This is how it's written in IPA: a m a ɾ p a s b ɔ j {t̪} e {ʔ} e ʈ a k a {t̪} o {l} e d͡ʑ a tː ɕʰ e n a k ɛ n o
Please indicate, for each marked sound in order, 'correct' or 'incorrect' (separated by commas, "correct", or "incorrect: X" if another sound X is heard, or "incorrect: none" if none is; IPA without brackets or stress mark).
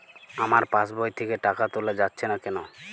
incorrect: t̪ʰ, incorrect: k, correct, correct